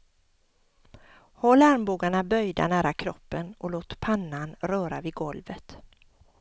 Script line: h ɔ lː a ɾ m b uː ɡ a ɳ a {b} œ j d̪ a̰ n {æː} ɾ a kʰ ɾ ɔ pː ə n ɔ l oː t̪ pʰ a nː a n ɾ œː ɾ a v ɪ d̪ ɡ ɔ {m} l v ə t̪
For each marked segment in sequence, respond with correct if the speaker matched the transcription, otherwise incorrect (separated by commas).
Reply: correct, correct, incorrect